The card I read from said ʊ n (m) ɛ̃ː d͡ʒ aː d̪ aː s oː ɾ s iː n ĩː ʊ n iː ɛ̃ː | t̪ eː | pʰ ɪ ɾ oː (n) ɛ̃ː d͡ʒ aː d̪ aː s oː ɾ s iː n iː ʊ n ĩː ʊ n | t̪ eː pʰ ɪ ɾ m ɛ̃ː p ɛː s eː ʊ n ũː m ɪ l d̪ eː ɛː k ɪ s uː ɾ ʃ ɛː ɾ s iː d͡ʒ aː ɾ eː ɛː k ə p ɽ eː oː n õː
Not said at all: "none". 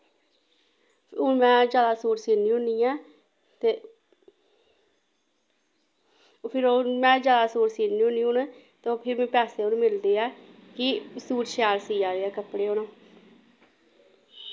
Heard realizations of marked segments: m, m

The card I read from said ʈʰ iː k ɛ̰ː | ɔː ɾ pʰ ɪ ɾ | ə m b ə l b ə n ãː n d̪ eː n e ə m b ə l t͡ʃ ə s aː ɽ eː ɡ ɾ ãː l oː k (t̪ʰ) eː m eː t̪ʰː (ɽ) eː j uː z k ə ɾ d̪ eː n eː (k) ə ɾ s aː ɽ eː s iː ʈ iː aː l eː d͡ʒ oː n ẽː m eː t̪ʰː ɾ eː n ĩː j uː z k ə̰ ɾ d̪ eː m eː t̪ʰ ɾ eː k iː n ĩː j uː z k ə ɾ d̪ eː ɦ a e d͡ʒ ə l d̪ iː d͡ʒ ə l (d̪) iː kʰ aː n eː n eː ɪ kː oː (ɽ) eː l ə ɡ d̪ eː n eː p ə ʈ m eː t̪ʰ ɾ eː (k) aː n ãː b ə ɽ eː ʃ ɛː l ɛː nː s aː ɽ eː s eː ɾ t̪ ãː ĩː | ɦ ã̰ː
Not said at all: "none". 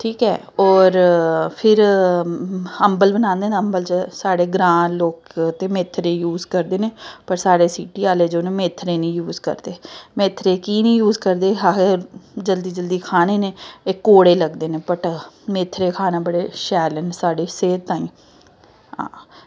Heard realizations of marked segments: t̪, ɾ, p, d̪, ɽ, kʰ

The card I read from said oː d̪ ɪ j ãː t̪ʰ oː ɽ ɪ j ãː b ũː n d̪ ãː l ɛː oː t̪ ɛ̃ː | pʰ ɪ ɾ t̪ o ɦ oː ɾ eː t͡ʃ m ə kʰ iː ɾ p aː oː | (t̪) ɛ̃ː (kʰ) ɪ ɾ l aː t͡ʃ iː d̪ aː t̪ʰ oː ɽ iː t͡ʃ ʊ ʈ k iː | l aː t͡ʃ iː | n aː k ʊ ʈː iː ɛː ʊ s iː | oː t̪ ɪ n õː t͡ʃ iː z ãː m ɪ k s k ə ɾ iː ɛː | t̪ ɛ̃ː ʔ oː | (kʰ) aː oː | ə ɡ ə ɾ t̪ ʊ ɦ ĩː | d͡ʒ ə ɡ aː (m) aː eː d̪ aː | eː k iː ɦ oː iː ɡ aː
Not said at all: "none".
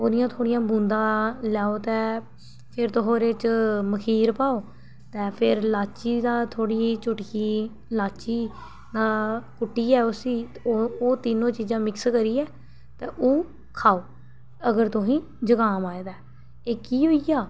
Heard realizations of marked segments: t̪, pʰ, kʰ, m

